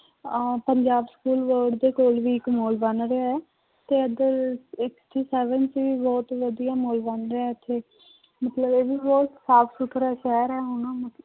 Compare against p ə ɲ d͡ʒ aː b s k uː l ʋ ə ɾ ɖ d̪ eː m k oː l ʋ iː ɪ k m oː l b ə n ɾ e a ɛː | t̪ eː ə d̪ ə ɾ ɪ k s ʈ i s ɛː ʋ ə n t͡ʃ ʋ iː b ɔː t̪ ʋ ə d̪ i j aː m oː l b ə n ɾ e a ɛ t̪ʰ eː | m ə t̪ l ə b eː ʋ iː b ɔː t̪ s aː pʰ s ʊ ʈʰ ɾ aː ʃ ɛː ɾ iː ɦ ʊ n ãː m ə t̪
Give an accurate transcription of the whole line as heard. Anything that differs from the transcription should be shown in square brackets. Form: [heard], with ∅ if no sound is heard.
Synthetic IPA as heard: p ə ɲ d͡ʒ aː b s k uː l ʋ ə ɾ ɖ d̪ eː [∅] k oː l ʋ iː ɪ k m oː l b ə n ɾ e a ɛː | t̪ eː ə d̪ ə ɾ ɪ k s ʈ [iː] s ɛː ʋ ə n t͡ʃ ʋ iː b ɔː t̪ ʋ ə d̪ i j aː m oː l b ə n ɾ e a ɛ t̪ʰ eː | m ə t̪ l ə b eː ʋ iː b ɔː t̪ s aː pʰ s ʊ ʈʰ ɾ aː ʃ ɛː ɾ [ɛː] ɦ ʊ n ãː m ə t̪

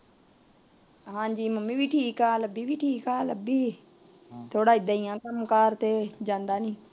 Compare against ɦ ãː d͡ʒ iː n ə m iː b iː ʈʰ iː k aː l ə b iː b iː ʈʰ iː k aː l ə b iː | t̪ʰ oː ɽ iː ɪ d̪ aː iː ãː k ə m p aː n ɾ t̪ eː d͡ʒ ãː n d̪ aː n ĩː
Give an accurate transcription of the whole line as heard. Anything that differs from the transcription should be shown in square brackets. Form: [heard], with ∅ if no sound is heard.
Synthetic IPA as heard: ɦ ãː d͡ʒ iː [m] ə m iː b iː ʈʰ iː k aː l ə b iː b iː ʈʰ iː k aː l ə b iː | t̪ʰ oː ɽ [aː] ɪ d̪ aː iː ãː k ə m [k] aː [∅] ɾ t̪ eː d͡ʒ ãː n d̪ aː n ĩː

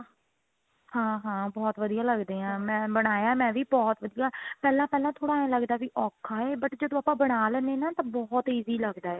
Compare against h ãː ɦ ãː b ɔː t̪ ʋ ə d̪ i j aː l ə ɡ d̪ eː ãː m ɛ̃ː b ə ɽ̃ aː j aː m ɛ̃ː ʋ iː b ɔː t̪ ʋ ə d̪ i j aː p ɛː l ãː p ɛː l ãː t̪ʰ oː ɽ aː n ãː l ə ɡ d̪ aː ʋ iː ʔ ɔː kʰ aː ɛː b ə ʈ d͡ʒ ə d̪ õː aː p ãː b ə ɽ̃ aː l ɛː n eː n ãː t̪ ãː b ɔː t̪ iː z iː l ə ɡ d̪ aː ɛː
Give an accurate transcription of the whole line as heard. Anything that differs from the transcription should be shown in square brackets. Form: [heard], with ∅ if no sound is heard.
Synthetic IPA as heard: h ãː ɦ ãː b ɔː t̪ ʋ ə d̪ i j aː l ə ɡ d̪ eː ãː m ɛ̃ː b ə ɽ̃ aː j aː m ɛ̃ː ʋ iː b ɔː t̪ ʋ ə d̪ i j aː p ɛː l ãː p ɛː l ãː t̪ʰ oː ɽ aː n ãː l ə ɡ d̪ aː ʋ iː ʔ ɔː kʰ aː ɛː b ə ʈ d͡ʒ ə d̪ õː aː p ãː b ə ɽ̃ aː l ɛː n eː n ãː t̪ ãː b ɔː t̪ iː z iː l ə ɡ d̪ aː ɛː

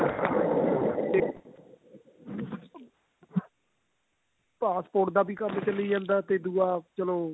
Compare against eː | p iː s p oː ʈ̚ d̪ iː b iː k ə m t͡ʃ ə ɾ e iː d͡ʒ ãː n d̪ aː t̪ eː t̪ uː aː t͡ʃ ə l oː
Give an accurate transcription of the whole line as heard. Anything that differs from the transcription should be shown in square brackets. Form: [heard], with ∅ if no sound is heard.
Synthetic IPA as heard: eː | p [aː] s p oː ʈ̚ d̪ [aː] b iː k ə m t͡ʃ ə [l] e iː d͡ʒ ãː n d̪ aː t̪ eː [d̪] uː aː t͡ʃ ə l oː

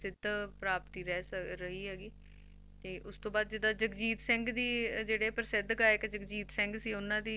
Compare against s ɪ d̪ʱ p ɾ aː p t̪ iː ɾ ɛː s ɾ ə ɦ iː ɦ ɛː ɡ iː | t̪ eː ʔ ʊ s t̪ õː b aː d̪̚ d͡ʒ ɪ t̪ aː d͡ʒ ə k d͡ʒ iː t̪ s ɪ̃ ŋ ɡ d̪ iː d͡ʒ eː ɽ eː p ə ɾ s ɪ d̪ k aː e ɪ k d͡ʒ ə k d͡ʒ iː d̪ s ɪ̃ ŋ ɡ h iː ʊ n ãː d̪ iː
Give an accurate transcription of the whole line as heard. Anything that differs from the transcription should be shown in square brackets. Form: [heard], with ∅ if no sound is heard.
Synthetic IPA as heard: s ɪ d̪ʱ p ɾ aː p t̪ iː ɾ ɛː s ɾ ə ɦ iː ɦ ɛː ɡ iː | t̪ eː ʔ ʊ s t̪ õː b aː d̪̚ d͡ʒ ɪ [d̪] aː d͡ʒ ə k d͡ʒ iː t̪ s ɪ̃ ŋ ɡ d̪ iː d͡ʒ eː ɽ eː p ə ɾ s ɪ d̪ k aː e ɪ k d͡ʒ ə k d͡ʒ iː [t̪] s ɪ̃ ŋ ɡ [s] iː ʊ n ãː d̪ iː

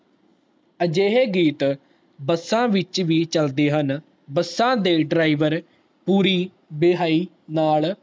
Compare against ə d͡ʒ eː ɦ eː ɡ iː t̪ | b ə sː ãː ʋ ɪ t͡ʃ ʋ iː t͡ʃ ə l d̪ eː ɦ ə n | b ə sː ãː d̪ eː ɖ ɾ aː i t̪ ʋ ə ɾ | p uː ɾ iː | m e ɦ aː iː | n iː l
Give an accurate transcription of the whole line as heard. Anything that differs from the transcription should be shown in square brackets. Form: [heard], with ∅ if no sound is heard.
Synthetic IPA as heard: ə d͡ʒ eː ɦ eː ɡ iː t̪ | b ə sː ãː ʋ ɪ t͡ʃ ʋ iː t͡ʃ ə l d̪ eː ɦ ə n | b ə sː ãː d̪ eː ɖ ɾ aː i [∅] ʋ ə ɾ | p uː ɾ iː | [b] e ɦ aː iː | n [aː] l

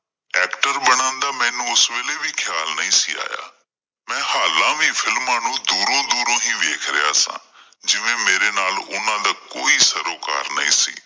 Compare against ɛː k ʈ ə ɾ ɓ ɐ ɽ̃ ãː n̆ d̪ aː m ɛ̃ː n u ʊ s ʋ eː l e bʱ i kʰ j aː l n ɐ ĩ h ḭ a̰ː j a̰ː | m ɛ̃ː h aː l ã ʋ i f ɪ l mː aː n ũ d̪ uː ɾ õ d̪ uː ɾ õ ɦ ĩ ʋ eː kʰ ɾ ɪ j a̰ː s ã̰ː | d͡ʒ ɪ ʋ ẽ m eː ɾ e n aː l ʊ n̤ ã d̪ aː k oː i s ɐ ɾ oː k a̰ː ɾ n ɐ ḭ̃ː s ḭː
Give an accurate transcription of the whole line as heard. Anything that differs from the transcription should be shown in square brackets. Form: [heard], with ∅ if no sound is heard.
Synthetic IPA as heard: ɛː k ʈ ə ɾ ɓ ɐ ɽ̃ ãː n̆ d̪ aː m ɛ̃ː n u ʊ s ʋ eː l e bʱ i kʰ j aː l n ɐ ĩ [s] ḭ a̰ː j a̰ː | m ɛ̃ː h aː l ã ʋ i f ɪ l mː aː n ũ d̪ uː ɾ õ d̪ uː ɾ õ ɦ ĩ ʋ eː kʰ ɾ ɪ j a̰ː s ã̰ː | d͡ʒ ɪ ʋ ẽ m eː ɾ e n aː l ʊ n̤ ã d̪ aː k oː i s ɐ ɾ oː k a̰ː ɾ n ɐ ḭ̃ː s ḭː

